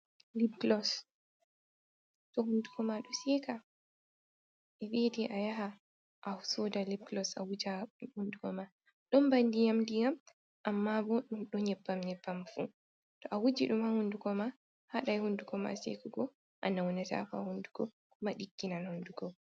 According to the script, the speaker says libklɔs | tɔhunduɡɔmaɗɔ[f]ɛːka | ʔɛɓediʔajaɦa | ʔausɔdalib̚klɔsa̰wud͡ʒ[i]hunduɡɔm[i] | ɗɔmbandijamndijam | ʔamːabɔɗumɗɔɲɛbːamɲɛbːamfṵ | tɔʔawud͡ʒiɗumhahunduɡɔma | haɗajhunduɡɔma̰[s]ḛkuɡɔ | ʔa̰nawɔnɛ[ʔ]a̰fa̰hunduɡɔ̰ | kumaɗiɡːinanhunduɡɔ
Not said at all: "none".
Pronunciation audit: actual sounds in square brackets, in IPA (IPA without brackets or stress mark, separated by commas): s, a, a, s, t